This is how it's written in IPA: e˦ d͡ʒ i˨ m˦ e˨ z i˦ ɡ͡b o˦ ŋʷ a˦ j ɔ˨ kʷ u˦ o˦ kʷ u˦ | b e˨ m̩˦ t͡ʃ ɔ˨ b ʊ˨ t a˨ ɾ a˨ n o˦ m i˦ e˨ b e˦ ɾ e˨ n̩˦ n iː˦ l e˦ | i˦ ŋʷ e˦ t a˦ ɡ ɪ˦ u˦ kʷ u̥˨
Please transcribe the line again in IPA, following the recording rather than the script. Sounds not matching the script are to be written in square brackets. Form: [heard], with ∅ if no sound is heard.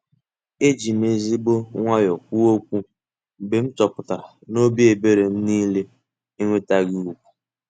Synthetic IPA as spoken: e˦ d͡ʒ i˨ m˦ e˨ z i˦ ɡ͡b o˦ ŋʷ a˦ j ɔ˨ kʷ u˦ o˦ kʷ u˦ | b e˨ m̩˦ t͡ʃ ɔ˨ [p] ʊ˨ t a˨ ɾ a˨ n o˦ [b] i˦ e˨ b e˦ ɾ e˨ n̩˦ n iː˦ l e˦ | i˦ ŋʷ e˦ t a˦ ɡ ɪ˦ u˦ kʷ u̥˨